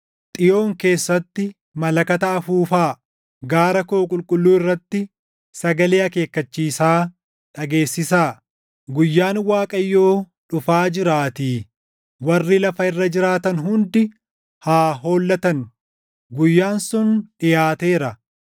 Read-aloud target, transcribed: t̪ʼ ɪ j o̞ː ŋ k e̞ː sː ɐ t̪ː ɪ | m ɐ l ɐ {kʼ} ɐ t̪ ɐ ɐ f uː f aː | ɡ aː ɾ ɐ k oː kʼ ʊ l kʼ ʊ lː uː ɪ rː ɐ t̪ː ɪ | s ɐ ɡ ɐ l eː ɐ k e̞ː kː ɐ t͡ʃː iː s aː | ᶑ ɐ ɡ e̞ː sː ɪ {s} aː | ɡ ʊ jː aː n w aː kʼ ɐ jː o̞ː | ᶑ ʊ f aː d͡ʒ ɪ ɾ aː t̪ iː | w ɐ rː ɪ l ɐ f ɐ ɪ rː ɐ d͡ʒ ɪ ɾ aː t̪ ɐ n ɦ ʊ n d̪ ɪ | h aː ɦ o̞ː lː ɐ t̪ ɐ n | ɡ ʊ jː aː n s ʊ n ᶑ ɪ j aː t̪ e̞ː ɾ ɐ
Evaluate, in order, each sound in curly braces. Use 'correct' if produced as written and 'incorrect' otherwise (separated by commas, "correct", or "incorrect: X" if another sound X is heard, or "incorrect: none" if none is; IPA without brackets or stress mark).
incorrect: k, correct